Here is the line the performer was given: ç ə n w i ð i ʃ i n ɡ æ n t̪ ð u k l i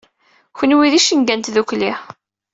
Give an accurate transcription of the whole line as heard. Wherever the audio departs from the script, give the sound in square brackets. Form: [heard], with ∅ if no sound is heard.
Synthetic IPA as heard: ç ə n w i ð i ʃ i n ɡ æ n t̪ ð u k l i